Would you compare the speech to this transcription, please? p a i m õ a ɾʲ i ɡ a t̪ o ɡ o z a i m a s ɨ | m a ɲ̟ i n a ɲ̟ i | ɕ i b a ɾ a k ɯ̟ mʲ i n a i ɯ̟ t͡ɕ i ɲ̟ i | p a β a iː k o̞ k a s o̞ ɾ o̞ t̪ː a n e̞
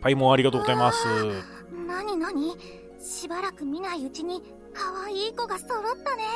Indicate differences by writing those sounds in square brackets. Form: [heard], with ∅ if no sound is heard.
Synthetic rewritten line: p a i m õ a ɾʲ i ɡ a t̪ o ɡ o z a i m a s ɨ | [n] a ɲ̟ i n a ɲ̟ i | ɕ i b a ɾ a k ɯ̟ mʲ i n a i ɯ̟ t͡ɕ i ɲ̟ i | [k] a β a iː k o̞ [ɡ] a s o̞ ɾ o̞ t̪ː a n e̞